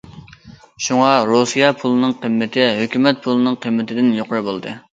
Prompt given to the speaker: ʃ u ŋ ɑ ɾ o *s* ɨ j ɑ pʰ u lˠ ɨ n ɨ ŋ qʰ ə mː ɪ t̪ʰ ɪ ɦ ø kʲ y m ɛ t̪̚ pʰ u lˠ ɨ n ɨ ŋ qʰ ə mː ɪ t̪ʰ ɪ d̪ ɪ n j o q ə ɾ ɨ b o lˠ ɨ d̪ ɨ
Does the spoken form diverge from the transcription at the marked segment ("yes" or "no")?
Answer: no